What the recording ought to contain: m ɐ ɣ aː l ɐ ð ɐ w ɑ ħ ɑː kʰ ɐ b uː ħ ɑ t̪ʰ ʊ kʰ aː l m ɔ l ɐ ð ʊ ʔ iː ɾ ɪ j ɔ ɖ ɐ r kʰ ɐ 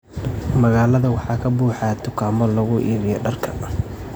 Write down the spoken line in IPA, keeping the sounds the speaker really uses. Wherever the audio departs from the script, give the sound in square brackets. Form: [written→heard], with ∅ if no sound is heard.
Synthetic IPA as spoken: m ɐ ɣ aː l ɐ ð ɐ w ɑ ħ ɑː kʰ ɐ b uː ħ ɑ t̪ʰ ʊ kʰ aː [l→∅] m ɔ l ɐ [ð→ɣ] ʊ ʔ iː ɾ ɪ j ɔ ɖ ɐ r kʰ ɐ

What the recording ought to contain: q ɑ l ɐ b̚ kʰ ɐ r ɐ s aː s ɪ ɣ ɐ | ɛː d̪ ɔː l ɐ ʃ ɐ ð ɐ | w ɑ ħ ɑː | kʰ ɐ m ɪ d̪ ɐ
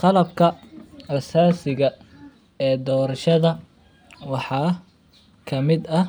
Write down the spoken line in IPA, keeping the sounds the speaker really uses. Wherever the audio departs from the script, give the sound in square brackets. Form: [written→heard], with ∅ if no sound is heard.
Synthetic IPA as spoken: q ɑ l ɐ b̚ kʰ ɐ r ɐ s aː s ɪ ɣ ɐ | ɛː d̪ ɔː [l→ɾ] ɐ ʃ ɐ ð ɐ | w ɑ ħ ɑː | kʰ ɐ m ɪ d̪ ɐ

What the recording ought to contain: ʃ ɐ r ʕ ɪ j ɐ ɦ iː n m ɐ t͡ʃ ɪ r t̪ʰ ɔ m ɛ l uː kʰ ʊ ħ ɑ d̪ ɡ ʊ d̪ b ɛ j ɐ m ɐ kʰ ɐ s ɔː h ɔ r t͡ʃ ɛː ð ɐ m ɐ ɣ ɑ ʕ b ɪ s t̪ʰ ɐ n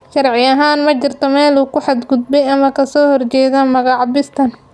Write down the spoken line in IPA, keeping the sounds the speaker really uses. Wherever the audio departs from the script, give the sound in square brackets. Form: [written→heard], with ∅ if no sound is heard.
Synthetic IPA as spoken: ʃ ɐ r ʕ ɪ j ɐ ɦ [iː→aː] n m ɐ t͡ʃ ɪ r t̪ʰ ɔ m [ɛ→ɛː] l uː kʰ ʊ ħ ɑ d̪ ɡ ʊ d̪ b ɛ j ɐ m ɐ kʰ ɐ s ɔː h ɔ r t͡ʃ ɛː ð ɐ m ɐ ɣ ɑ ʕ b ɪ s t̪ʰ ɐ n

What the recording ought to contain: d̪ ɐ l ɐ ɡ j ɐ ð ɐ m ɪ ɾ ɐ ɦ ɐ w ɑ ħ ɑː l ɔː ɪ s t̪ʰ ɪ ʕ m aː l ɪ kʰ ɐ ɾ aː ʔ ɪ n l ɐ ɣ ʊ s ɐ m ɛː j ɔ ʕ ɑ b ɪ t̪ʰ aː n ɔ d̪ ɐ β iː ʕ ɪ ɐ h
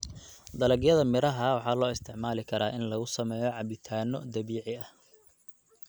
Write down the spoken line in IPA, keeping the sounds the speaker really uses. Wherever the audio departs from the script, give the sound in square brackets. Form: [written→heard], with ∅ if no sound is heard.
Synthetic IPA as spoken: d̪ ɐ l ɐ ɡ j ɐ ð ɐ m ɪ ɾ ɐ ɦ ɐ w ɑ ħ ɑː l ɔː ɪ s t̪ʰ ɪ ʕ m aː l ɪ kʰ ɐ ɾ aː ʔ ɪ n l ɐ ɣ ʊ s ɐ m ɛː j ɔ ʕ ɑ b ɪ t̪ʰ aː n ɔ d̪ ɐ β iː ʕ ɪ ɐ h

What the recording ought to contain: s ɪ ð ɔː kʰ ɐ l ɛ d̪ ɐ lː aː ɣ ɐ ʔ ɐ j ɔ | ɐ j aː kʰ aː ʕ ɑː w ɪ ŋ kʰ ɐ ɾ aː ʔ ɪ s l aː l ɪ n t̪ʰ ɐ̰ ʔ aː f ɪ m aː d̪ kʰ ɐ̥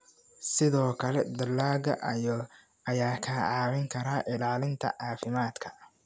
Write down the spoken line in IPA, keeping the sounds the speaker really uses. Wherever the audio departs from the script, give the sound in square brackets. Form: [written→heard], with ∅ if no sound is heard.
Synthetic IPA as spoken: s ɪ ð ɔː kʰ ɐ l ɛ d̪ ɐ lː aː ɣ ɐ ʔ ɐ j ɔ | ɐ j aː kʰ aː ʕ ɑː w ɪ ŋ kʰ ɐ ɾ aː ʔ ɪ [s→∅] l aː l ɪ n t̪ʰ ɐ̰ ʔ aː f ɪ m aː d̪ kʰ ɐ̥

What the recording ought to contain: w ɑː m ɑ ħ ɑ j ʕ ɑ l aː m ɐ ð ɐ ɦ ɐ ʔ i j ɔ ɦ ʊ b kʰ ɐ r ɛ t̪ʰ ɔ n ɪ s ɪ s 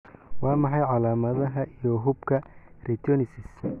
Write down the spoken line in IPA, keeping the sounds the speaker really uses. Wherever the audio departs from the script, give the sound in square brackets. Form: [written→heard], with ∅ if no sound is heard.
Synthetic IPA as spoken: w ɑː m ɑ ħ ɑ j ʕ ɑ l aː m ɐ ð ɐ ɦ ɐ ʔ i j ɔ ɦ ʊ b kʰ ɐ r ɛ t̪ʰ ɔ n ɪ s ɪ s

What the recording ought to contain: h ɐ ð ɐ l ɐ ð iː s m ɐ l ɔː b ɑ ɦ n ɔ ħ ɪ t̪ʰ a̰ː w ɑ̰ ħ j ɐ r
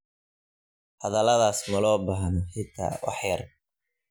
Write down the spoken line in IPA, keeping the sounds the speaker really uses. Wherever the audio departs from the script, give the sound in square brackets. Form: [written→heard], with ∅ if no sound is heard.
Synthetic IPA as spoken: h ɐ ð ɐ l ɐ ð [iː→aː] s m ɐ l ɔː b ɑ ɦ n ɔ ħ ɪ t̪ʰ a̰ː w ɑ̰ ħ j ɐ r

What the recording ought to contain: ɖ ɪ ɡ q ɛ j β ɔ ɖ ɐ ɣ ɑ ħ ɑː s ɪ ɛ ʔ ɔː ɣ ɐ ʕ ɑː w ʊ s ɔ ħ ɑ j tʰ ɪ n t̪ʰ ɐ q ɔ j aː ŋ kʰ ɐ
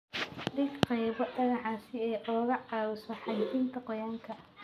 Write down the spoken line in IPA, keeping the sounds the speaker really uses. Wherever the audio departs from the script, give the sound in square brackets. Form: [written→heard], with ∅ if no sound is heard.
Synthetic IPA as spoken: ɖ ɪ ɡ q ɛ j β ɔ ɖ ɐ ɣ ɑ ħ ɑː s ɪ ɛ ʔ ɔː ɣ ɐ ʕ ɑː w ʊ s ɔ ħ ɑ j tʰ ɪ n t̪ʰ ɐ q ɔ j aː ŋ kʰ ɐ

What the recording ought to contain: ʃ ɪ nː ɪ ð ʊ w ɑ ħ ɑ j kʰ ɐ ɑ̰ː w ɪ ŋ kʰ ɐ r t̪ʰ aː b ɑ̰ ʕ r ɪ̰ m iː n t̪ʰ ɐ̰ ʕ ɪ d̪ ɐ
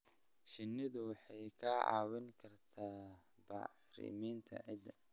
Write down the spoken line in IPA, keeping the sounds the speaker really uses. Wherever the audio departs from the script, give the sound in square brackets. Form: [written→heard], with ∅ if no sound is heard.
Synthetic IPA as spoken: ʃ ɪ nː ɪ ð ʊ w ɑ ħ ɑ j kʰ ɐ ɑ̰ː w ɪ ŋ kʰ ɐ r t̪ʰ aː b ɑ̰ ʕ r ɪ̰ m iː n t̪ʰ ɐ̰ ʕ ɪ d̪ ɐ

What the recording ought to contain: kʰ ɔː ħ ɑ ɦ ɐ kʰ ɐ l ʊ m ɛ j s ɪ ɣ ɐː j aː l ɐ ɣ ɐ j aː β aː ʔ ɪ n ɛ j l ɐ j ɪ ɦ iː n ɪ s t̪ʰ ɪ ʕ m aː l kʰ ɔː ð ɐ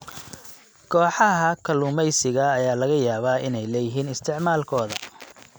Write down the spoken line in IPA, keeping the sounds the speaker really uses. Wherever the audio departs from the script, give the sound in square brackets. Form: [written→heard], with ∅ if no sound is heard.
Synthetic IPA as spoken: kʰ ɔː ħ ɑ ɦ ɐ kʰ ɐ l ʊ m ɛ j s ɪ ɣ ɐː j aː l ɐ ɣ ɐ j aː β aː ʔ ɪ n ɛ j l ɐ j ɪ ɦ iː n ɪ s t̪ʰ ɪ ʕ m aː l kʰ ɔː ð ɐ

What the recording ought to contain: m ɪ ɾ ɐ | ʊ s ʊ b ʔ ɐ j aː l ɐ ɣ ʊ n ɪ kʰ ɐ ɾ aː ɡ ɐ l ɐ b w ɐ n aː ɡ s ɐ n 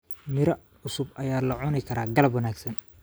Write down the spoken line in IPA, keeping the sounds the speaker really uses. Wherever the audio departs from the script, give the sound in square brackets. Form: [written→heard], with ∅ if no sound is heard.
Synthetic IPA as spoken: m ɪ ɾ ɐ | ʊ s ʊ b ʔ ɐ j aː l ɐ [ɣ→ʕ] ʊ n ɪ kʰ ɐ ɾ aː ɡ ɐ l ɐ b w ɐ n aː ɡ s ɐ n

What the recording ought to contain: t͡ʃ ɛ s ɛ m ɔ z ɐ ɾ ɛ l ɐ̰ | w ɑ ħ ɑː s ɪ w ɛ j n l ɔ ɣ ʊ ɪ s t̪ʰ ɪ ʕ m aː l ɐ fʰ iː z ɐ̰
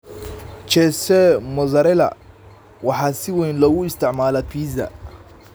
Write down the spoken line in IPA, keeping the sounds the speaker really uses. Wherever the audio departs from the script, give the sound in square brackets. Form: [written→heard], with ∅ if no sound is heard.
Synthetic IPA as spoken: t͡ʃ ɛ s ɛ m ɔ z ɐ ɾ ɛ l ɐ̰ | w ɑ ħ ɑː s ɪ w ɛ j n l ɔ ɣ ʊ ɪ s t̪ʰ ɪ ʕ m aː l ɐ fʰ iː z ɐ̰

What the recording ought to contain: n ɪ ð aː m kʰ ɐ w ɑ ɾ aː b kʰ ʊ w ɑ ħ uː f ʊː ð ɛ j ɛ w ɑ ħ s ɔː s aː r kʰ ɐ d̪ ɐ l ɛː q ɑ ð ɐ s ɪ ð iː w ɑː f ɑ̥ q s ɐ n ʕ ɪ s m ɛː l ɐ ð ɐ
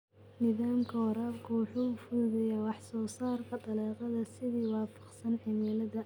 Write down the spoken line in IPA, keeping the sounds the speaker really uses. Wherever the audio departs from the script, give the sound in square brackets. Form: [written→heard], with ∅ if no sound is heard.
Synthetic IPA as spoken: n ɪ ð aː m kʰ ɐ w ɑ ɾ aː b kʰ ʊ w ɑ ħ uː f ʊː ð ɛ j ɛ w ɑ ħ s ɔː s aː r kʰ ɐ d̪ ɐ l ɛː q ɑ ð ɐ s ɪ ð iː w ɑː f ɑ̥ q s ɐ n ʕ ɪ [s→∅] m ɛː l ɐ ð ɐ

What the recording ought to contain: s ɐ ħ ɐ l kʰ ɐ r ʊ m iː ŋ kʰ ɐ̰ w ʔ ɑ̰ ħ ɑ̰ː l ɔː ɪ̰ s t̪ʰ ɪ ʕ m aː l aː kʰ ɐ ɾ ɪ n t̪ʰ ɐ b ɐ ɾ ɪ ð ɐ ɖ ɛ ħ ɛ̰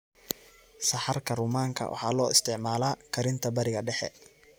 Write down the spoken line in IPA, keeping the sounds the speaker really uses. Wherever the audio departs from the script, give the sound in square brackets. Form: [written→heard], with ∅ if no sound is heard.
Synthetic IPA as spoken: s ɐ ħ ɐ [l→r] kʰ ɐ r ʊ m [iː→aː] ŋ kʰ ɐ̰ w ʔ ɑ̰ ħ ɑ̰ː l ɔː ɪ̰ s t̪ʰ ɪ ʕ m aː l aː kʰ ɐ ɾ ɪ n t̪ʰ ɐ b ɐ ɾ ɪ [ð→ɣ] ɐ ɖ ɛ ħ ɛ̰

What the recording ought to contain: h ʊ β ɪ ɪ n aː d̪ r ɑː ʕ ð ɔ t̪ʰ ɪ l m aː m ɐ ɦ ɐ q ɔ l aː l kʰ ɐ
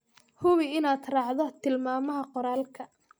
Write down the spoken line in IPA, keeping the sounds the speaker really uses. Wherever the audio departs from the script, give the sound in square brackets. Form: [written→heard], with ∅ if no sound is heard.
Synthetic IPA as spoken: h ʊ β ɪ ɪ n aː d̪ r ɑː ʕ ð ɔ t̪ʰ ɪ l m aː m ɐ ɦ ɐ q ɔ [l→ɾ] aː l kʰ ɐ

